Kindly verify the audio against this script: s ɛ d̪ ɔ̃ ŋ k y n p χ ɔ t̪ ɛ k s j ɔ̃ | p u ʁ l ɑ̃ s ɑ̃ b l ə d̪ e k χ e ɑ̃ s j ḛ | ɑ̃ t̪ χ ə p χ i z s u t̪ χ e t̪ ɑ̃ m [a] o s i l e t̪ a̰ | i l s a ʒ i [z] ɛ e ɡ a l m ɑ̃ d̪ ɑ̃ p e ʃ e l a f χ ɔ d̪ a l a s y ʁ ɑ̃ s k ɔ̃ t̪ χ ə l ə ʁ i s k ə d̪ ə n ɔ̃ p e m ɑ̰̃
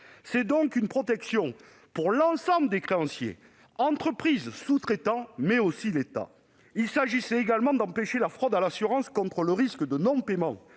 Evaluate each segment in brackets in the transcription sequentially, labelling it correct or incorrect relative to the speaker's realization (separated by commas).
incorrect, incorrect